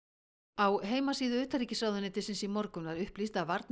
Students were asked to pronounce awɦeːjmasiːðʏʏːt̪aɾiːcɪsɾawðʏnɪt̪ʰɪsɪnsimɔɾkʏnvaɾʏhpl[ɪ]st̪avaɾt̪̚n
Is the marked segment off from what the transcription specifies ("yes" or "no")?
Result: yes